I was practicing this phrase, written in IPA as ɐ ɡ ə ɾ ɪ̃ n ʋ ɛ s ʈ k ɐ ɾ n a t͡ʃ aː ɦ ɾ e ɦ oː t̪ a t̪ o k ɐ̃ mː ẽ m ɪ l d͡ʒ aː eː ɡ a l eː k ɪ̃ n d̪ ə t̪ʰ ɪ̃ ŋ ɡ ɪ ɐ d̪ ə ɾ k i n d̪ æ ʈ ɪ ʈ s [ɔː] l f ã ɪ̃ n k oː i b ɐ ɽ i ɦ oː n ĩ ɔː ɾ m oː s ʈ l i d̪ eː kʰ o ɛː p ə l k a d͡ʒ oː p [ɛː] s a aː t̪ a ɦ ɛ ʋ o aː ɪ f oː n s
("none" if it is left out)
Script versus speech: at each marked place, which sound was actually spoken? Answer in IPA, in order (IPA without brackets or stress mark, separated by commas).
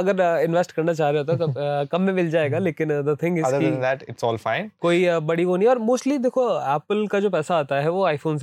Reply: ɔː, ɛː